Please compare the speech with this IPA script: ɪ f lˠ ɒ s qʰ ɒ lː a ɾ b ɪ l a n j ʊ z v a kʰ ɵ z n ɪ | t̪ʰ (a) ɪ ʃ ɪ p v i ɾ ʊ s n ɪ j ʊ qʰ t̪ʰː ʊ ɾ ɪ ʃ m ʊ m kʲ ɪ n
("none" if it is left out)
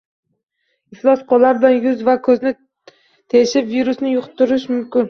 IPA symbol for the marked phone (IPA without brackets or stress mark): e